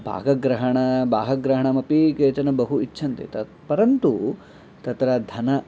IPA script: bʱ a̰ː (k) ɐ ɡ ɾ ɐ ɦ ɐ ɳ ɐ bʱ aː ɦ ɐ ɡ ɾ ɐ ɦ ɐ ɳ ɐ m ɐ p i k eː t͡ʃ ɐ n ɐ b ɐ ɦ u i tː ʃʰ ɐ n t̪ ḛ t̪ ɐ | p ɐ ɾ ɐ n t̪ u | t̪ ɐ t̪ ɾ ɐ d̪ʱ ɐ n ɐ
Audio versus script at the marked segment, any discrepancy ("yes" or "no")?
yes